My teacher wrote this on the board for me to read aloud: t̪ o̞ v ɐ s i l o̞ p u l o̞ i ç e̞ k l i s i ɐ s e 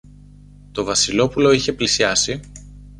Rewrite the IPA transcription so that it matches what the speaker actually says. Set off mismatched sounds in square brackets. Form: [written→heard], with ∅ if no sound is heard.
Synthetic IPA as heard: t̪ o̞ v ɐ s i l o̞ p u l o̞ i ç e̞ [k→p] l i s i ɐ s [e→i]